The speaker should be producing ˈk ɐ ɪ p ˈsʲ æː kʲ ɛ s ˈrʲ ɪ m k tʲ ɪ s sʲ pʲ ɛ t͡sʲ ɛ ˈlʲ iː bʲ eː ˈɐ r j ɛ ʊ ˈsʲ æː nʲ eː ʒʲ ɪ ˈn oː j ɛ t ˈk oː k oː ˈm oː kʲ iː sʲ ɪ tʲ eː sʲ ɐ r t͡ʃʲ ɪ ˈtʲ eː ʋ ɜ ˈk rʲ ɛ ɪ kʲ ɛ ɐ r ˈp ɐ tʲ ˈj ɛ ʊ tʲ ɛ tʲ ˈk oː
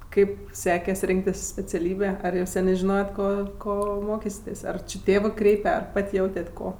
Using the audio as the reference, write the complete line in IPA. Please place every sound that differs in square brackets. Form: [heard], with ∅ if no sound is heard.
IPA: ˈk ɐ ɪ p ˈsʲ æː kʲ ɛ s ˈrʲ ɪ [ŋ] k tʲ ɪ s sʲ pʲ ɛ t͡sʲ ɛ ˈlʲ iː bʲ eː ˈɐ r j ɛ ʊ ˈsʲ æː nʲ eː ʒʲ ɪ ˈn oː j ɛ t ˈk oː k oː ˈm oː kʲ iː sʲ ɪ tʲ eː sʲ ɐ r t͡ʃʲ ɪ ˈtʲ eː ʋ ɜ ˈk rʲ ɛ ɪ [pʲ] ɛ ɐ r ˈp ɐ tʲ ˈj ɛ ʊ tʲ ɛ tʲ ˈk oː